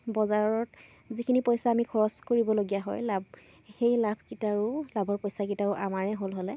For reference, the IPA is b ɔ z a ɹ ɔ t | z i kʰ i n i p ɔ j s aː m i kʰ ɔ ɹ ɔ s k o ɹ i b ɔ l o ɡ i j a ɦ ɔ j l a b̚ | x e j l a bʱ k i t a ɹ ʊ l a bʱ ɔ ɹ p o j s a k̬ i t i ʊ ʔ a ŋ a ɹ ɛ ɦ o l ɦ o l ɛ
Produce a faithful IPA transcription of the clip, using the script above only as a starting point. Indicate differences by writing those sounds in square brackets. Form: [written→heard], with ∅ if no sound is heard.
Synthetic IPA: b ɔ z a ɹ ɔ t | z i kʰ i n i p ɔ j s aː m i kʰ ɔ ɹ ɔ s k o ɹ i b ɔ l o ɡ i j a ɦ ɔ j l a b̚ | x e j l a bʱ k i t a ɹ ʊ l a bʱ ɔ ɹ p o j s a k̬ i t [i→a] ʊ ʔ a [ŋ→m] a ɹ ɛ ɦ o l ɦ o l ɛ

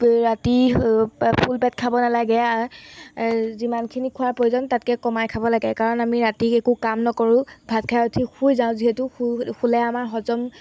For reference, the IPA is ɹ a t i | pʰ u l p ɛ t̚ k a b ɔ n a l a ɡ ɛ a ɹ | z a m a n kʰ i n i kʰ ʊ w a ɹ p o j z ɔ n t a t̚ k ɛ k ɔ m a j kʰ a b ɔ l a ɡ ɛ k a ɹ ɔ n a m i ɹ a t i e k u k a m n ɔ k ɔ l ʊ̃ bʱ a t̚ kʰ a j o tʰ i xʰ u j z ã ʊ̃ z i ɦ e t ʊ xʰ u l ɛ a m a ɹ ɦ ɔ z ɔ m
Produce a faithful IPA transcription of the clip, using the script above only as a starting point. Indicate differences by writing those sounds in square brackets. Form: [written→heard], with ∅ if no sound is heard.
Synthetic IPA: ɹ a t i | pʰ u l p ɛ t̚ [k→kʰ] a b ɔ n a l a ɡ ɛ a ɹ | z [a→i] m a n kʰ i n i kʰ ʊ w a ɹ p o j z ɔ n t a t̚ k ɛ k ɔ m a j kʰ a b ɔ l a ɡ ɛ k a ɹ ɔ n a m i ɹ a t i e k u k a m n ɔ k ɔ [l→ɹ] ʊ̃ bʱ a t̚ kʰ a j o tʰ i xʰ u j z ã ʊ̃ z i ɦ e t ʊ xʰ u l ɛ a m a ɹ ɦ ɔ z ɔ m

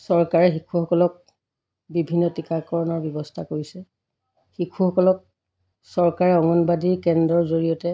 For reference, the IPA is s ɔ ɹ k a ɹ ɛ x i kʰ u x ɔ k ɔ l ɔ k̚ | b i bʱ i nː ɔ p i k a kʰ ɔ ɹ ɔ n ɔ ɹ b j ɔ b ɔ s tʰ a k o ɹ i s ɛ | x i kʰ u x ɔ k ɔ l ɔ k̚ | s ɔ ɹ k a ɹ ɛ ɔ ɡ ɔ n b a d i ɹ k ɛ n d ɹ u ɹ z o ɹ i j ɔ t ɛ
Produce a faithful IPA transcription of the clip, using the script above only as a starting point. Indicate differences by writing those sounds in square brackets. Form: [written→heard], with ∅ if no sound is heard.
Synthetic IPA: s ɔ ɹ k a ɹ ɛ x i kʰ u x ɔ k ɔ l ɔ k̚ | b i bʱ i nː ɔ [p→t] i k a [kʰ→k] ɔ ɹ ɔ n ɔ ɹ b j ɔ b ɔ s tʰ a k o ɹ i s ɛ | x i kʰ u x ɔ k ɔ l ɔ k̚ | s ɔ ɹ k a ɹ ɛ ɔ [ɡ→ŋ] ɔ n b a d i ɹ k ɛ n d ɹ [u→ɔ] ɹ z o ɹ i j ɔ t ɛ

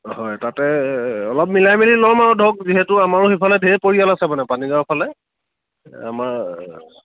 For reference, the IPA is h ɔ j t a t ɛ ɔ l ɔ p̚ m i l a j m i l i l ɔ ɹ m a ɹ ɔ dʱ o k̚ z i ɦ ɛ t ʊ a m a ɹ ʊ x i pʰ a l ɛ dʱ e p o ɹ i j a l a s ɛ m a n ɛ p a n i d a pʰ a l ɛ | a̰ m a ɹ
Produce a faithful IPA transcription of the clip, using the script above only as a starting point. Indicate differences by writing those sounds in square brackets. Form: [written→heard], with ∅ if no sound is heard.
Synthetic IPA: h ɔ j t a t ɛ ɔ l ɔ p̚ m i l a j m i l i l ɔ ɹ m a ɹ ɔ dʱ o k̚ z i ɦ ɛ t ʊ a m a ɹ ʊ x i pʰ a l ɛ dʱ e p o ɹ i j a l a s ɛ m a n ɛ p a n i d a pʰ a l ɛ | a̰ m a ɹ

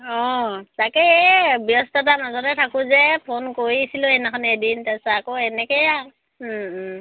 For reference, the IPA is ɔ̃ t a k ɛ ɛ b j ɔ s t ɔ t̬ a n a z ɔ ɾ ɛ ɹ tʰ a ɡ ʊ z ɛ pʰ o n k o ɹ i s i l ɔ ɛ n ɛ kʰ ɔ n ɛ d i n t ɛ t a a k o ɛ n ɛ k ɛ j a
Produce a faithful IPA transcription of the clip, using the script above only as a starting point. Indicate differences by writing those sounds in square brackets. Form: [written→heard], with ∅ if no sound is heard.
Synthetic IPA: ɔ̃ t a k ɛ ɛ b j ɔ s t ɔ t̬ a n a z ɔ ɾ ɛ [ɹ→∅] tʰ a [ɡ→k] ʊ z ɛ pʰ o n k o ɹ i s i l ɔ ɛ n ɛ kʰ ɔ n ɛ d i n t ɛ [t→s] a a k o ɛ n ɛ k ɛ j a

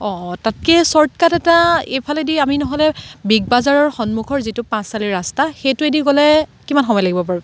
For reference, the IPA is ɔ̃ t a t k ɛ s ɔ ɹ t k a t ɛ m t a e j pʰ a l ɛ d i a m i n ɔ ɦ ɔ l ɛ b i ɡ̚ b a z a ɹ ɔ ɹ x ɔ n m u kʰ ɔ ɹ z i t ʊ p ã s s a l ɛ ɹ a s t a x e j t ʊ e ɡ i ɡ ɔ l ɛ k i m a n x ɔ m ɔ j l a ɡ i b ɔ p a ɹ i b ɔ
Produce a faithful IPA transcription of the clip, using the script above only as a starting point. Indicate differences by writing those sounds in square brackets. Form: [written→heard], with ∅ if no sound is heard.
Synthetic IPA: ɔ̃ t a t k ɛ s ɔ ɹ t k a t ɛ [m→∅] t a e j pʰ a l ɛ d i a m i n ɔ ɦ ɔ l ɛ b i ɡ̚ b a z a ɹ ɔ ɹ x ɔ n m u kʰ ɔ ɹ z i t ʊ p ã s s a l [ɛ→i] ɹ a s t a x e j t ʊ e [ɡ→d] i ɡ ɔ l ɛ k i m a n x ɔ m ɔ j l a ɡ i b ɔ p a ɹ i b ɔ

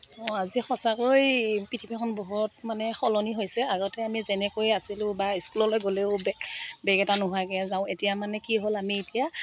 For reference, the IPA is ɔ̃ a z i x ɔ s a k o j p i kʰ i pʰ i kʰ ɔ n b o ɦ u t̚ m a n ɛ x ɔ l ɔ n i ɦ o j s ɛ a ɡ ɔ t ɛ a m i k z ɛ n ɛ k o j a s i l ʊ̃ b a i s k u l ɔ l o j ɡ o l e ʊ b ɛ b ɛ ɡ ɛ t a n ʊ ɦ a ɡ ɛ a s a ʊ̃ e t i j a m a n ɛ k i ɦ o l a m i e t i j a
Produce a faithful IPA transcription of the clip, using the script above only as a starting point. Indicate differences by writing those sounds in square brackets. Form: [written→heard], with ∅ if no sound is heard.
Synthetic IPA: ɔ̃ a z i x ɔ s a k o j p i [kʰ→tʰ] i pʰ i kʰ ɔ n b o ɦ u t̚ m a n ɛ x ɔ l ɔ n i ɦ o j s ɛ a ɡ ɔ t ɛ a m i [k→∅] z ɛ n ɛ k o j a s i l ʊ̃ b a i s k u l ɔ l o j ɡ o l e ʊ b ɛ b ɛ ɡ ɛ t a n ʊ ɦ a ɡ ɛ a [s→z] a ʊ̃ e t i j a m a n ɛ k i ɦ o l a m i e t i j a

